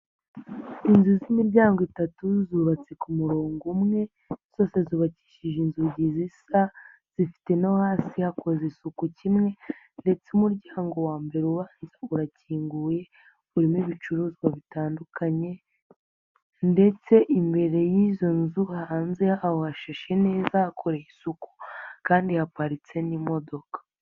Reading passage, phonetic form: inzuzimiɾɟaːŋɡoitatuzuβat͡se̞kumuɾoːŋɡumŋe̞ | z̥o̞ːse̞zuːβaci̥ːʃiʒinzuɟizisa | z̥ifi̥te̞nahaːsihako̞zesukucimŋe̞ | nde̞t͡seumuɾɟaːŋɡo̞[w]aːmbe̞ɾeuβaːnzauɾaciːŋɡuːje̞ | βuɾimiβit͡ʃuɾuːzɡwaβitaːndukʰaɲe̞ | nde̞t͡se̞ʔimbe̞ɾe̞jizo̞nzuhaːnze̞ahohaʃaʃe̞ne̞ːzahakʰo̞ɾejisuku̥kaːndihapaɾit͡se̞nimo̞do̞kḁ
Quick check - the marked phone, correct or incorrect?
correct